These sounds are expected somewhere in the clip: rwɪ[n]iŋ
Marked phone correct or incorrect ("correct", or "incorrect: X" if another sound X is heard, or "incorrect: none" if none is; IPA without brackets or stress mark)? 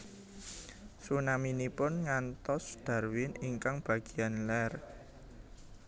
correct